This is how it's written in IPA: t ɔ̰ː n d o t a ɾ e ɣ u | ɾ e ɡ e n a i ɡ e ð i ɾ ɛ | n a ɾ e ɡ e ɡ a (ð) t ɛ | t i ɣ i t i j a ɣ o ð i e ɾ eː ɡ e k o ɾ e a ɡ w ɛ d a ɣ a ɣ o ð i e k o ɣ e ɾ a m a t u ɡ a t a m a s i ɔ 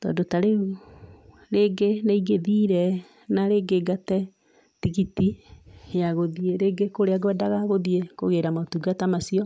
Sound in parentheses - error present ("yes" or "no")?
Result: yes